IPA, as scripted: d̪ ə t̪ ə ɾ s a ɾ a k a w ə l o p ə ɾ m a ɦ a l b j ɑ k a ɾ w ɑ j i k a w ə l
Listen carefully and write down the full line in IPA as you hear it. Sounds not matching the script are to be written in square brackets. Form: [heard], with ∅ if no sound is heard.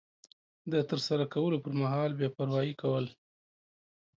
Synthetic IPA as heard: d̪ ə t̪ ə ɾ s a ɾ a k a w ə l o p ə ɾ m a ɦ [ɑ] l b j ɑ [p] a ɾ w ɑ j i k a w ə l